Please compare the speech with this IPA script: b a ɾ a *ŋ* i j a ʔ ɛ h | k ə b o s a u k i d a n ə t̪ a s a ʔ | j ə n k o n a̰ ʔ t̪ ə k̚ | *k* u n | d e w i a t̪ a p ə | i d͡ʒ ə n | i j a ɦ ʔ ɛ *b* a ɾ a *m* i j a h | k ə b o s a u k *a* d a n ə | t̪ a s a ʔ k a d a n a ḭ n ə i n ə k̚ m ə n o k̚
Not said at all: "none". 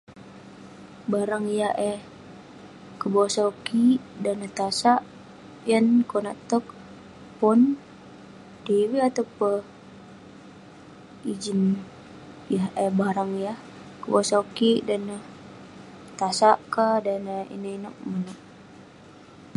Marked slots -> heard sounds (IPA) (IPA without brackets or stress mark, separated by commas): ŋ, p, b, ŋ, i